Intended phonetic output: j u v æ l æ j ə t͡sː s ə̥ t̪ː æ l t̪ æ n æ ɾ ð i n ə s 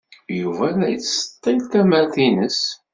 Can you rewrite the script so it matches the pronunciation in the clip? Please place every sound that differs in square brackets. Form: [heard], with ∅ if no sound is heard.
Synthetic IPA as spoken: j u v æ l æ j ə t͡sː s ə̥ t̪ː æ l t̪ æ [m] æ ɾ [θ] i n ə s